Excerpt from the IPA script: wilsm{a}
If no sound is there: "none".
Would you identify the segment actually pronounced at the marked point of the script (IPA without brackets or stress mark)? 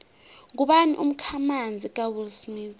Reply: i